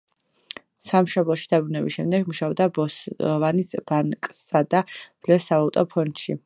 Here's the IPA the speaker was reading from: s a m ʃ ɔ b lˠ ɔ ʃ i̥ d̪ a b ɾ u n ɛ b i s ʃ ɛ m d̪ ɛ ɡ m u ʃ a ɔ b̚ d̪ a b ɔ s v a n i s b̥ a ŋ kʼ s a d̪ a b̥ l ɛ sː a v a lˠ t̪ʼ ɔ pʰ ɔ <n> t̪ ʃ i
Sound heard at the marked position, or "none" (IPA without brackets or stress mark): n